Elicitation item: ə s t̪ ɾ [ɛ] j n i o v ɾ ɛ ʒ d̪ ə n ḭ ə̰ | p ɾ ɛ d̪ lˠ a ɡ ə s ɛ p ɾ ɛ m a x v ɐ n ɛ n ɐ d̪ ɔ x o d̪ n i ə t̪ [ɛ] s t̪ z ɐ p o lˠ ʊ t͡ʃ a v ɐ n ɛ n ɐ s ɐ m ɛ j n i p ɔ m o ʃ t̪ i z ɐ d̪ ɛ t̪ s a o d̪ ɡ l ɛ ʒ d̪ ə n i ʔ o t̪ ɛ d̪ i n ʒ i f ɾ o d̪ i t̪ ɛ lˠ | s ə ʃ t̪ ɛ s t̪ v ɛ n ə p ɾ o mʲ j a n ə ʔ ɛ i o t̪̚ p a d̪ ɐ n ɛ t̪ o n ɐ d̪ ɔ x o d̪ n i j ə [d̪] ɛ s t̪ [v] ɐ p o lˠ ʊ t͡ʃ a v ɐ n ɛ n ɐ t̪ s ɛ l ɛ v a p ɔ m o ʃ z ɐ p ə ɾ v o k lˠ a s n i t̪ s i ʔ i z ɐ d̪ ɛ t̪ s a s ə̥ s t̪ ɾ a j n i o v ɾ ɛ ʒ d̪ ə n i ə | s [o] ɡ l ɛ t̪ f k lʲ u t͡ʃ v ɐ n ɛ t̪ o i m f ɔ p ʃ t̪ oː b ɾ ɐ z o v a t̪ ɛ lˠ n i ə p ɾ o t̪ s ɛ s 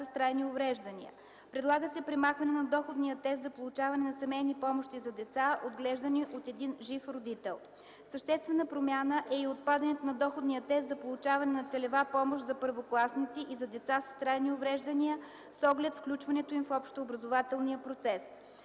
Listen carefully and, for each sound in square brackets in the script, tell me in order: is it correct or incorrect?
incorrect: a, correct, incorrect: t̪, incorrect: z, incorrect: ɔ

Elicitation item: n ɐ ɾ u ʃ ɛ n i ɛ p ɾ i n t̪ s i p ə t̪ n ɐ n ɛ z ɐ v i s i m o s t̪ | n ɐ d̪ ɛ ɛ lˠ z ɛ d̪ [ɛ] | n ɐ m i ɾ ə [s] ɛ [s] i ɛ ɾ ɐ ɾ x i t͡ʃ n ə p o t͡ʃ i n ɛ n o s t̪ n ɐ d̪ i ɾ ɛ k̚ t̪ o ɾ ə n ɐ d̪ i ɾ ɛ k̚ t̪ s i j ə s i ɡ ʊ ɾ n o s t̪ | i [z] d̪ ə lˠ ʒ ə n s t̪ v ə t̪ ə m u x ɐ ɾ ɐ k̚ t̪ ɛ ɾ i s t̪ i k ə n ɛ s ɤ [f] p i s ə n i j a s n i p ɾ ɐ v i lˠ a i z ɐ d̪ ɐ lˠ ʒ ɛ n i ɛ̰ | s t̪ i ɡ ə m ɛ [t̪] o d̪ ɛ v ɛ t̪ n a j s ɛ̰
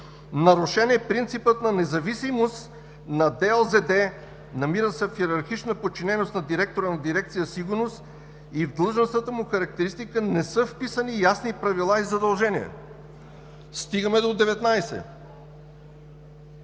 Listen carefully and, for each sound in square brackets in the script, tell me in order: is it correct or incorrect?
correct, correct, incorrect: f, incorrect: v, correct, incorrect: d̪

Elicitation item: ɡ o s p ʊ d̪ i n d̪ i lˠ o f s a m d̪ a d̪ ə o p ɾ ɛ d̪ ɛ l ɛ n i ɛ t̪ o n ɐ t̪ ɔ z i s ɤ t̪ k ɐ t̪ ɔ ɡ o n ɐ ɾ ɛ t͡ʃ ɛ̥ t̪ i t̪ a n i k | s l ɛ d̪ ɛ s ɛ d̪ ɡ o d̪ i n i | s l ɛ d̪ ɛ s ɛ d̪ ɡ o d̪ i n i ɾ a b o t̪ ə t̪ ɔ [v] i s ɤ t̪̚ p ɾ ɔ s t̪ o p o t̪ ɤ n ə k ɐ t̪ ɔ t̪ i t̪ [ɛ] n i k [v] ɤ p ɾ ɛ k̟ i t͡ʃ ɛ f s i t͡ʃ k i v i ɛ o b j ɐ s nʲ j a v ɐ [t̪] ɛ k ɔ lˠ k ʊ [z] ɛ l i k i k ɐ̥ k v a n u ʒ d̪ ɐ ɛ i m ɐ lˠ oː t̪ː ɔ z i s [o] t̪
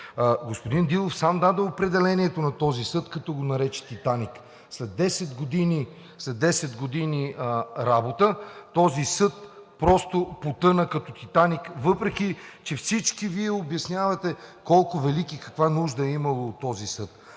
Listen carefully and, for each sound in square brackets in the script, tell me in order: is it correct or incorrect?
incorrect: z, incorrect: a, correct, correct, incorrect: v, incorrect: ɤ

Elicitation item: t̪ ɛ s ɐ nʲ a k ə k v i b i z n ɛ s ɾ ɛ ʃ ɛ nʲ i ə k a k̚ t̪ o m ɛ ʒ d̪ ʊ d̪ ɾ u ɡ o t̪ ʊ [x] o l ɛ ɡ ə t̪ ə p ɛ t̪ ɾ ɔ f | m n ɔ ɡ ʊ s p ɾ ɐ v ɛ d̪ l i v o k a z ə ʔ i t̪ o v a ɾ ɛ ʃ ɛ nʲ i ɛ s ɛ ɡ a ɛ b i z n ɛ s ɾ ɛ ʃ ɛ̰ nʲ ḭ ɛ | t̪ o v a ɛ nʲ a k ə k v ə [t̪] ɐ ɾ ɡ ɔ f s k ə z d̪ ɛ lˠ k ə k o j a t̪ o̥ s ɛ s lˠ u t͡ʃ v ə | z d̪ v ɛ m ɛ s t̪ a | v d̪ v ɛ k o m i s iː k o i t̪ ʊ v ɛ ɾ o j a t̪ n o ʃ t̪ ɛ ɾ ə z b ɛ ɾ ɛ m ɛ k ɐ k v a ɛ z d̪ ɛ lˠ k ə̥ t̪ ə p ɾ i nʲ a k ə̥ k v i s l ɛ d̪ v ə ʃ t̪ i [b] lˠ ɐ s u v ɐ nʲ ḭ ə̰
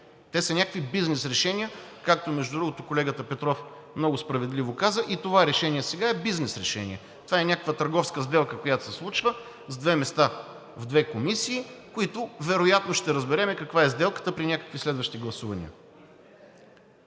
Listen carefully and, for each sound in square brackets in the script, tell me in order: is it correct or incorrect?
incorrect: k, correct, incorrect: ɡ

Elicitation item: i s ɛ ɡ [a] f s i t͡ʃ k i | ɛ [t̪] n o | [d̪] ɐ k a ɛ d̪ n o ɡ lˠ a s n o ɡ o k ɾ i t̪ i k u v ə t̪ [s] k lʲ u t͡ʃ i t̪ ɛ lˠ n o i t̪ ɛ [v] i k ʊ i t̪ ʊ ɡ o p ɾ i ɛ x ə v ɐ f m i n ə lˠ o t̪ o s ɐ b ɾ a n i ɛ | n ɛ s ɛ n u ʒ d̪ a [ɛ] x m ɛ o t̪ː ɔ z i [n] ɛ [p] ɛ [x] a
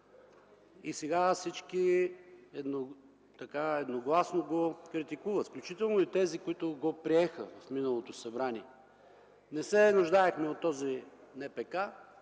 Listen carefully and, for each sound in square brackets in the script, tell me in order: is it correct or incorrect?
correct, incorrect: d̪, incorrect: t̪, incorrect: f, incorrect: z, correct, correct, correct, incorrect: k

